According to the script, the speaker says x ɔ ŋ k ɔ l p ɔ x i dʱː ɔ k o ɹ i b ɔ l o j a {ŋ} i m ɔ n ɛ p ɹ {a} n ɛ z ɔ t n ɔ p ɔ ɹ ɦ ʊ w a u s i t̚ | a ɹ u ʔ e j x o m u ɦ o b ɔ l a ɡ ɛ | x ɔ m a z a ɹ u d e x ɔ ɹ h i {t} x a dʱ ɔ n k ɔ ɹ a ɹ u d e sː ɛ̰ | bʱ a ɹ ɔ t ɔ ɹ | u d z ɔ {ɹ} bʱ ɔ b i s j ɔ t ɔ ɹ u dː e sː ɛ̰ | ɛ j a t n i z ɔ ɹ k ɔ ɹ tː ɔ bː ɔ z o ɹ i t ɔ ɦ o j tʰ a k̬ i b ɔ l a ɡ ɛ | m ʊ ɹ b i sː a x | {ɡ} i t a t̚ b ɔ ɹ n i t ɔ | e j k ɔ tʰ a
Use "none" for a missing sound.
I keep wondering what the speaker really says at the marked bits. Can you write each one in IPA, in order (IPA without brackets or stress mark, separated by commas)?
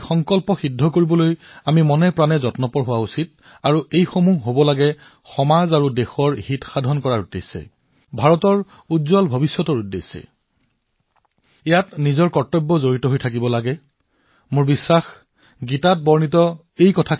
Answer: m, a, t, l, ɡ